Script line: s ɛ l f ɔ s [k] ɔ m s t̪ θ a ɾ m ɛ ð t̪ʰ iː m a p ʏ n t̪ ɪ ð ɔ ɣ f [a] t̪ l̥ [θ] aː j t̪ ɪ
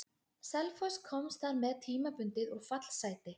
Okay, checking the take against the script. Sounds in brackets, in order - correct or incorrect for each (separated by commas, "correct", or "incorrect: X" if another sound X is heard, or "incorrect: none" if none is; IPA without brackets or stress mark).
incorrect: kʰ, correct, incorrect: s